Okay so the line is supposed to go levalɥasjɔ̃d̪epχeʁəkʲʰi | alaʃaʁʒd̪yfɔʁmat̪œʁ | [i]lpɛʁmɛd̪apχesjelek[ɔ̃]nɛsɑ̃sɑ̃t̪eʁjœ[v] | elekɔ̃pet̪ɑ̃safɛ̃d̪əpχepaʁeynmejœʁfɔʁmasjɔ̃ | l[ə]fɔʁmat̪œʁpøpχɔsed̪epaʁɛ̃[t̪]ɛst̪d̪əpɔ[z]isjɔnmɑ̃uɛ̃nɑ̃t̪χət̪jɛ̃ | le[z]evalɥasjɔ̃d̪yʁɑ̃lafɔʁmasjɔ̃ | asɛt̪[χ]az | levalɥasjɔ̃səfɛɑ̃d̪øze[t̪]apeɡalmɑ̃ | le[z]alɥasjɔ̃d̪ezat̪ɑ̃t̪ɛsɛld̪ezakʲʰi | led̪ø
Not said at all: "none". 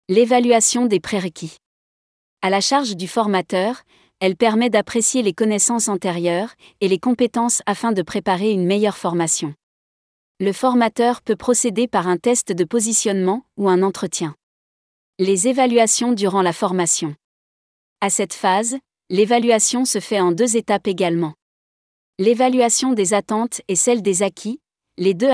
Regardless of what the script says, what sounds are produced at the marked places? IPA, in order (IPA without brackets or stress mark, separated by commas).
ɛ, ɔ, ʁ, ə, t̪, z, z, f, t̪, v